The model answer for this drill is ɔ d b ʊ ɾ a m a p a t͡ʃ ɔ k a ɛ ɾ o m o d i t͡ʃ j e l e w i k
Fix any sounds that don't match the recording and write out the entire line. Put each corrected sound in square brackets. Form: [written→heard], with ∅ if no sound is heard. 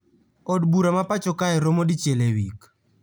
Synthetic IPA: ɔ d b [ʊ→u] ɾ a m a p a t͡ʃ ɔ k a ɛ ɾ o m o d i t͡ʃ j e l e w i k